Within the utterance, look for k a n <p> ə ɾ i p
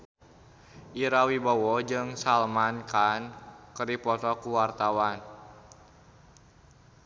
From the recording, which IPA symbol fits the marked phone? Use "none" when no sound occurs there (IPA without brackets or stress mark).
k